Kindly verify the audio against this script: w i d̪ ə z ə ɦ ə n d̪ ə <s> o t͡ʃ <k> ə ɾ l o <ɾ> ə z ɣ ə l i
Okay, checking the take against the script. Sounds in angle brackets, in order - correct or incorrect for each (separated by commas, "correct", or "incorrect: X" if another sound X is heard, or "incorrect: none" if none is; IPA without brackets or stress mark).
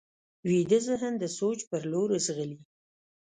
correct, incorrect: p, correct